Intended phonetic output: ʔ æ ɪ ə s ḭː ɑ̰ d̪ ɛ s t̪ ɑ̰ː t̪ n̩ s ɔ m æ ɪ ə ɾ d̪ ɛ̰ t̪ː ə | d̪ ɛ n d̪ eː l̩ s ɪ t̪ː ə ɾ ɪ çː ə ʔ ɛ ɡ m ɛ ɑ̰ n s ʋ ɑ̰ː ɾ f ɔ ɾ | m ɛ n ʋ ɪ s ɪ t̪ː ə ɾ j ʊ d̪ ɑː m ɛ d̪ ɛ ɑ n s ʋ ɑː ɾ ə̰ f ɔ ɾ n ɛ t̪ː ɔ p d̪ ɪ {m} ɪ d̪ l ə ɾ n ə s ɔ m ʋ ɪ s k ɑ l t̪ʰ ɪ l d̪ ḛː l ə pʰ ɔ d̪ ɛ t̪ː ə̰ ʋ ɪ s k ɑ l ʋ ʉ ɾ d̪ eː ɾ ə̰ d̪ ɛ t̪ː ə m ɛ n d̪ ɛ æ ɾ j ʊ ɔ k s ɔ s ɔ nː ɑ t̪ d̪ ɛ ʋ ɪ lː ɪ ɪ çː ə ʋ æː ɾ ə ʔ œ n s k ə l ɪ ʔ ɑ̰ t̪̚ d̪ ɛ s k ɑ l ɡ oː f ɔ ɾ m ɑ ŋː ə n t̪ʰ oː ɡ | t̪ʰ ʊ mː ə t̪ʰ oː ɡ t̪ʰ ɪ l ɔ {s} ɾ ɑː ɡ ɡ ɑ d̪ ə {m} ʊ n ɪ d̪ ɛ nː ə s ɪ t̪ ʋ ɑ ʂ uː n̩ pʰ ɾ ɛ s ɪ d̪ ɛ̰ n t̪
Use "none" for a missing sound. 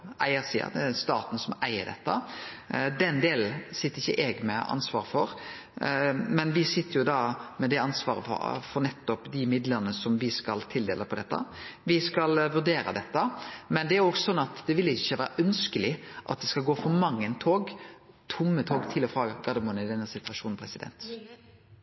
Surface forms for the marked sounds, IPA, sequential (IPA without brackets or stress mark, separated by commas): m, f, m